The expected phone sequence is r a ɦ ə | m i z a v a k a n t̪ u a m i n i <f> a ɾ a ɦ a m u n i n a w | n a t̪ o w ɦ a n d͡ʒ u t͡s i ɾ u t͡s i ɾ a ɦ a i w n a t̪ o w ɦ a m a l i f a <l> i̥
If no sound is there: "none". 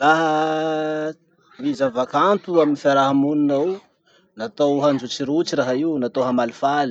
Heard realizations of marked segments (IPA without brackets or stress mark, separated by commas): f, l